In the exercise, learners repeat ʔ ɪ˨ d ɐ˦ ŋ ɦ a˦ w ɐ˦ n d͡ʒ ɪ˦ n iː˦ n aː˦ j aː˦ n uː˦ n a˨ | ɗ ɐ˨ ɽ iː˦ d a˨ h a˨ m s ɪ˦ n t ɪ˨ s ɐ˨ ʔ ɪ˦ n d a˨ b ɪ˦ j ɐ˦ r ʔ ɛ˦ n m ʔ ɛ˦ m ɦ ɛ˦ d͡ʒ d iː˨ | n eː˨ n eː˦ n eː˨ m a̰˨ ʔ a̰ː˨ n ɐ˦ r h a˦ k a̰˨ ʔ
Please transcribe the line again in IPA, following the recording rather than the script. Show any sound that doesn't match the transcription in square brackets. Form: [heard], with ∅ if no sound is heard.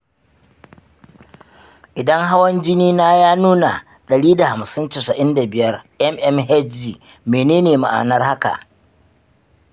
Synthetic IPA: ʔ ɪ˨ d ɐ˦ ŋ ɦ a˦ w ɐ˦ n d͡ʒ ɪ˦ n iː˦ n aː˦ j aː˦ n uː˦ n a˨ | ɗ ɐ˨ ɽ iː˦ d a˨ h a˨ m s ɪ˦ n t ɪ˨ s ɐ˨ ʔ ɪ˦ n d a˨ b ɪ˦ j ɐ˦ r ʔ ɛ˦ [∅] m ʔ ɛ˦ m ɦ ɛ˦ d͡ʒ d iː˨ | [m] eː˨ n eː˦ n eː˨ m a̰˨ ʔ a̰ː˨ n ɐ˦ r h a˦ k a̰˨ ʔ